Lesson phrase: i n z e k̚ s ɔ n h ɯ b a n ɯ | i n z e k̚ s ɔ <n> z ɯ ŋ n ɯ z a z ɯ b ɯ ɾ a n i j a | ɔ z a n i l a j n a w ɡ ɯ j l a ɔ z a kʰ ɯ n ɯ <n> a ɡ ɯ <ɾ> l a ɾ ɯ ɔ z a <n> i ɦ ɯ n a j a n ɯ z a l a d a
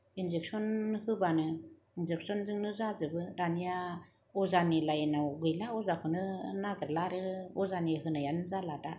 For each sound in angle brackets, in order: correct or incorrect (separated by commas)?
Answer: correct, correct, correct, correct